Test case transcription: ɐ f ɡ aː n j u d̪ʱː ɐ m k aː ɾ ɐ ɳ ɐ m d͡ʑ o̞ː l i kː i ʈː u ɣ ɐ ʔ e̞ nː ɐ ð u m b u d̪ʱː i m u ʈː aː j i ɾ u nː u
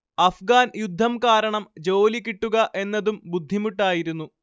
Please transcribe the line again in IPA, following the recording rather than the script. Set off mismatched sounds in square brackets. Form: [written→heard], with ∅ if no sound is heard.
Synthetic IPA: ɐ f ɡ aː n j u d̪ʱː ɐ m k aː ɾ ɐ ɳ ɐ m d͡ʑ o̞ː l i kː i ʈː u ɣ ɐ ʔ e̞ nː ɐ ð u m b u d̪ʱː i m u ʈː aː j i ɾ u nː u

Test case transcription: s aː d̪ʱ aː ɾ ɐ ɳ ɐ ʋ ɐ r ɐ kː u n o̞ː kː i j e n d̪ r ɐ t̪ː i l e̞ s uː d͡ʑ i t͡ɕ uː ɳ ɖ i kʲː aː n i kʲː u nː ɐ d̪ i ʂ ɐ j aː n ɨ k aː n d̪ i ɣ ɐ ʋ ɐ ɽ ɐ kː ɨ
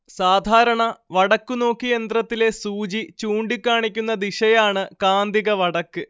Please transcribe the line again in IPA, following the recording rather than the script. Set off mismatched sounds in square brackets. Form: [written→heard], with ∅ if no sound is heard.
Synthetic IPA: s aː d̪ʱ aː ɾ ɐ ɳ ɐ ʋ ɐ [r→ɽ] ɐ kː u n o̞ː kː i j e n d̪ r ɐ t̪ː i l e̞ s uː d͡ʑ i t͡ɕ uː ɳ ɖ i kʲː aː [n→ɳ] i kʲː u nː ɐ d̪ i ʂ ɐ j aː [n→ɳ] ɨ k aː n d̪ i ɣ ɐ ʋ ɐ ɽ ɐ kː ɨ

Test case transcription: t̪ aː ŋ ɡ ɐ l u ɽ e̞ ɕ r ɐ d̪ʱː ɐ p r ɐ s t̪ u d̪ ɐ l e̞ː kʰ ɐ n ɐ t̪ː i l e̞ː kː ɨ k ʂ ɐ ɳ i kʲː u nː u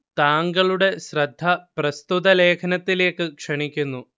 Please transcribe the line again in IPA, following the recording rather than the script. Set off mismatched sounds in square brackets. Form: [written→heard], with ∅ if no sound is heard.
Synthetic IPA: t̪ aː ŋ ɡ ɐ [l→ɭ] u ɽ e̞ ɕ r ɐ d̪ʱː ɐ p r ɐ s t̪ u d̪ ɐ l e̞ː kʰ ɐ n ɐ t̪ː i l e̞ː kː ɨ k ʂ ɐ ɳ i kʲː u nː u

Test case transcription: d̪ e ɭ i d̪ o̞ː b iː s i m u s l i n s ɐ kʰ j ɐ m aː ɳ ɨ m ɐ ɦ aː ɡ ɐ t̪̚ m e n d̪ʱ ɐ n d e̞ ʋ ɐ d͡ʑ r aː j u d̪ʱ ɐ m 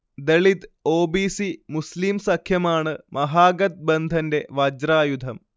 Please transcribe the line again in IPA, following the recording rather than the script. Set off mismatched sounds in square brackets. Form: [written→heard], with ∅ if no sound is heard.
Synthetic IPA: d̪ e ɭ i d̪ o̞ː b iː s i m u s l i [n→m] s ɐ kʰ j ɐ m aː ɳ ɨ m ɐ ɦ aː ɡ ɐ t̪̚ [m→b] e n d̪ʱ ɐ n d e̞ ʋ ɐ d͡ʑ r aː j u d̪ʱ ɐ m

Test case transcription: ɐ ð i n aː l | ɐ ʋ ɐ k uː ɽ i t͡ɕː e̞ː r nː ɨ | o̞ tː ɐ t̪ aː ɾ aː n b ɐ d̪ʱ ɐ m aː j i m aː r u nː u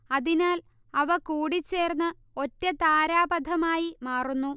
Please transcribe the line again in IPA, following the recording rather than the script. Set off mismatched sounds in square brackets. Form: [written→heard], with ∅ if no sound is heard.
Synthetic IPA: ɐ ð i n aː l | ɐ ʋ ɐ k uː ɽ i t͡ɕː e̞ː r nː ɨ | o̞ tː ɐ t̪ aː ɾ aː [n→∅] b ɐ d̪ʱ ɐ m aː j i m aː r u nː u

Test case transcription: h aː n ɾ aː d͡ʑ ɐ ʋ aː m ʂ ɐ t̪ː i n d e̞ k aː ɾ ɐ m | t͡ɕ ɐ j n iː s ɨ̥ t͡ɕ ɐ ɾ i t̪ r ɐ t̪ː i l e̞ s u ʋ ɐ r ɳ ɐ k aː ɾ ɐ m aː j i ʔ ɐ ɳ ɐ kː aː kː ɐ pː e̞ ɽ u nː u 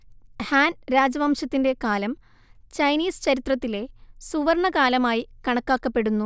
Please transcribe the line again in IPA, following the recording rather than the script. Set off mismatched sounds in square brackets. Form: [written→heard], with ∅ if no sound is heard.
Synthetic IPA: h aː n ɾ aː d͡ʑ ɐ ʋ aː m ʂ ɐ t̪ː i n d e̞ k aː [ɾ→l] ɐ m | t͡ɕ ɐ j n iː s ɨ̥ t͡ɕ ɐ ɾ i t̪ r ɐ t̪ː i l e̞ s u ʋ ɐ r ɳ ɐ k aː [ɾ→l] ɐ m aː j i [ʔ→k] ɐ ɳ ɐ kː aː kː ɐ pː e̞ ɽ u nː u

